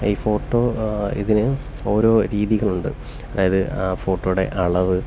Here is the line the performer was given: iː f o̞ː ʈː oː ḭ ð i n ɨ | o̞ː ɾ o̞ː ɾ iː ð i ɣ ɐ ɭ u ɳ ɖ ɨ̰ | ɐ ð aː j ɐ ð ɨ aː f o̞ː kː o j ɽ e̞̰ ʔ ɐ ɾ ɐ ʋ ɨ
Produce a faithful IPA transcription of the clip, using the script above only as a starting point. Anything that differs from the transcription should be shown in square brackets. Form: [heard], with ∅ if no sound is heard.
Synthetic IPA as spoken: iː f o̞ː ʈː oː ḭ ð i n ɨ | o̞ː ɾ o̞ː ɾ iː ð i ɣ ɐ ɭ u ɳ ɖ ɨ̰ | ɐ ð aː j ɐ ð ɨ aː f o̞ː [ʈː] o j ɽ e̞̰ ʔ ɐ [ɭ] ɐ ʋ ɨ